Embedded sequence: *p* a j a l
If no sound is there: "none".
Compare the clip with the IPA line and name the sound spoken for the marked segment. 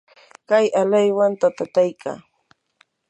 k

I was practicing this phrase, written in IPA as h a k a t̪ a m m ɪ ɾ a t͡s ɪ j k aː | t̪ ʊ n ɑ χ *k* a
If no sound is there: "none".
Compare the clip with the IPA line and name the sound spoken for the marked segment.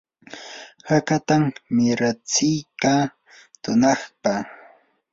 p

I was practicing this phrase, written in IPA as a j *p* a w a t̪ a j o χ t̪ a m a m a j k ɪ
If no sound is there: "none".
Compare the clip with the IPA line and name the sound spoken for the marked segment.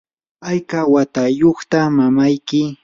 k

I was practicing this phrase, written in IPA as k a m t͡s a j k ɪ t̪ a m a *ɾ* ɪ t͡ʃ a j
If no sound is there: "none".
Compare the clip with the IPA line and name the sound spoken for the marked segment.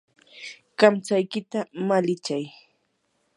l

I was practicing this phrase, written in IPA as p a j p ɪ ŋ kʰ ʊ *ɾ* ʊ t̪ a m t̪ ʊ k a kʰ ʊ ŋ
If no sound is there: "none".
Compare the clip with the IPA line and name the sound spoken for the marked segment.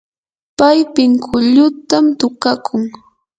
ʎ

